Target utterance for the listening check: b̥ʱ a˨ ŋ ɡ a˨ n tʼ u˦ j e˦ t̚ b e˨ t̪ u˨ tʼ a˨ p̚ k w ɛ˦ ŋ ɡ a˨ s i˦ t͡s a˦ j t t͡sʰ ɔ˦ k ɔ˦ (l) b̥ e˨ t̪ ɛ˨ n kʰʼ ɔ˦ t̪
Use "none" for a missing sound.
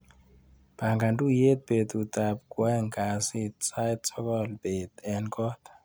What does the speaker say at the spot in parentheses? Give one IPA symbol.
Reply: l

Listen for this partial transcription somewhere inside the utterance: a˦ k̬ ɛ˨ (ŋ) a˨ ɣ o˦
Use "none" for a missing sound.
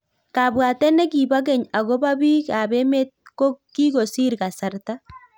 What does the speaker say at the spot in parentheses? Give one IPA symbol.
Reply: ɲ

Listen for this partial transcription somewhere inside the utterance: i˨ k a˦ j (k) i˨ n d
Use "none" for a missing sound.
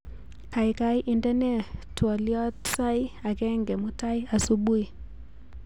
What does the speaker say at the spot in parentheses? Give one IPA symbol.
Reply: ʔ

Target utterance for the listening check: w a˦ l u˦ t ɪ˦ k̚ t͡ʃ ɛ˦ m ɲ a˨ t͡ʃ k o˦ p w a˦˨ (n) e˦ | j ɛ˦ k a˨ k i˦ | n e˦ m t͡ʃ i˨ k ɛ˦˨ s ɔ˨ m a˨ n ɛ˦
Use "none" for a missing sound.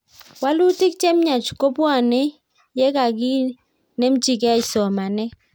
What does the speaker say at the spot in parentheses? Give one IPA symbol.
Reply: n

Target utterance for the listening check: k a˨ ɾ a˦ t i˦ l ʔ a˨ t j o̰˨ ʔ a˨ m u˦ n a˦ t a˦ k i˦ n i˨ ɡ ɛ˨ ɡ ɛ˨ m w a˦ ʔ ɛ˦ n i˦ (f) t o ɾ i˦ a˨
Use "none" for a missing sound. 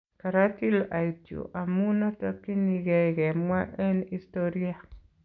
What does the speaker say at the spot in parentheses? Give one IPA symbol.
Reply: s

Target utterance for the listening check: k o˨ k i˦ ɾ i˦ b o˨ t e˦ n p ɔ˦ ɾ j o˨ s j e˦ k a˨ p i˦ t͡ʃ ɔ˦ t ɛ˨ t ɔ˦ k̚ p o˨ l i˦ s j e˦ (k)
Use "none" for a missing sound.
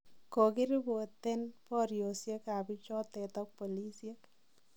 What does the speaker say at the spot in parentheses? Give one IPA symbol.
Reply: k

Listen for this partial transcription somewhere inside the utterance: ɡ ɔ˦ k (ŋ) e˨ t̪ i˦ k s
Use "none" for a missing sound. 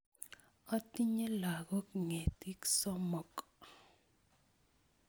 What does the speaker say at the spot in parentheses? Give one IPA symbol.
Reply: ŋ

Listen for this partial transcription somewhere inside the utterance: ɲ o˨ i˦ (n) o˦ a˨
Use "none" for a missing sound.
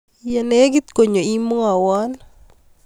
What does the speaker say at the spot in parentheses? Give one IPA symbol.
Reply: m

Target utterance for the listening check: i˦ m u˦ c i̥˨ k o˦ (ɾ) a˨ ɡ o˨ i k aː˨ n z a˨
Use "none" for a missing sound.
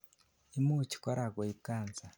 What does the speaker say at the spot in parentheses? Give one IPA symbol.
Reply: ɾ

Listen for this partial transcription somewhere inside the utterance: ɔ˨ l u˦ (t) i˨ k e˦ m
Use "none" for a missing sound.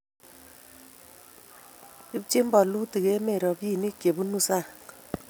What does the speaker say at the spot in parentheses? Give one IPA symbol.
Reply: t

